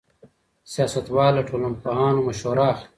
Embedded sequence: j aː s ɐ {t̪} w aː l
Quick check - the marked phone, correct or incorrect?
correct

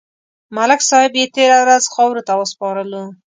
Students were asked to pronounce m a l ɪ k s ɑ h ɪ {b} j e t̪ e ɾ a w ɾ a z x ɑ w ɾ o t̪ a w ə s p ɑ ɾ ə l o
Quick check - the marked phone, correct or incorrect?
correct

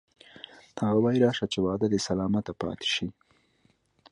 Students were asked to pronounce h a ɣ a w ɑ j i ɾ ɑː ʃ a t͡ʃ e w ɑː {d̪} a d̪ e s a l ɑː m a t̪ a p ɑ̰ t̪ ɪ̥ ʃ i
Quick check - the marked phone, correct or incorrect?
correct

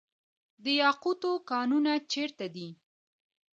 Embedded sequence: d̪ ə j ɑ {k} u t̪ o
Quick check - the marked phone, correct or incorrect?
incorrect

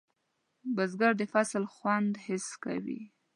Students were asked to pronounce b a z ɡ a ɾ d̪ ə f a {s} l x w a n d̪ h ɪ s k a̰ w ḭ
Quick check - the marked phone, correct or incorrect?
correct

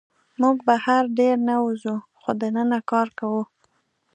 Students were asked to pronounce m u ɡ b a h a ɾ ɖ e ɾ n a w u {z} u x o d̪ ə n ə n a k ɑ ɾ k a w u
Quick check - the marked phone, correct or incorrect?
correct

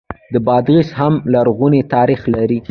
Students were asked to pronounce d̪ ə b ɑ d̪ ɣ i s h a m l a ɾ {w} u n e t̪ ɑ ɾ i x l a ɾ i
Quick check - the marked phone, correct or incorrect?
incorrect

